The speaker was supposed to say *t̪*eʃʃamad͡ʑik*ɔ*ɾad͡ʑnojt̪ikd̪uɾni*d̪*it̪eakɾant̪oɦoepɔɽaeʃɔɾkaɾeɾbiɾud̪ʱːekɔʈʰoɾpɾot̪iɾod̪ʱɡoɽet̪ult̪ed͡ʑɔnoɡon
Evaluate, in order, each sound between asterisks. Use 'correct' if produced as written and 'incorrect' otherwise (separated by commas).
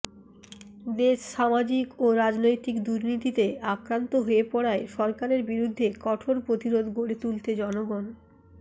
incorrect, incorrect, incorrect